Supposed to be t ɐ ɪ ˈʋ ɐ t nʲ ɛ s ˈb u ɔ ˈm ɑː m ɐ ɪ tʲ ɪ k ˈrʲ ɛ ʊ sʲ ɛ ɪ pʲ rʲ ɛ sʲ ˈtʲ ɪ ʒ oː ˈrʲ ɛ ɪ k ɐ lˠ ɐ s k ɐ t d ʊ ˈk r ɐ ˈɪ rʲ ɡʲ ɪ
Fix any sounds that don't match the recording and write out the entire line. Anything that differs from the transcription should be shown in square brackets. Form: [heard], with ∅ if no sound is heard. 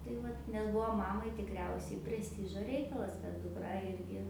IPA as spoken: t ɐ ɪ ˈʋ ɐ t nʲ ɛ s ˈb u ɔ ˈm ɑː m ɐ ɪ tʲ ɪ k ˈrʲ ɛ ʊ sʲ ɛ ɪ pʲ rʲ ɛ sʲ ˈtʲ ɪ ʒ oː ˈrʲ ɛ ɪ k ɐ lˠ ɐ s k ɐ t d ʊ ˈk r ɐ ˈɪ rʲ ɡʲ ɪ